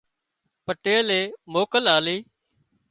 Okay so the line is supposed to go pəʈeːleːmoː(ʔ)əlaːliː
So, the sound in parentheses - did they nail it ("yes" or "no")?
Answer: no